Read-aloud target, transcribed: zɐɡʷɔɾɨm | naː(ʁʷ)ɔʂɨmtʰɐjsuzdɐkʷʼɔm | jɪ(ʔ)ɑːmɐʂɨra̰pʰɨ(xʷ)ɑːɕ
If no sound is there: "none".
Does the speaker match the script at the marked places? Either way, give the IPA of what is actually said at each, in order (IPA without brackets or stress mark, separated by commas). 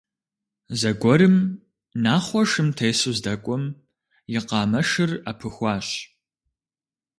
χʷ, q, xʷ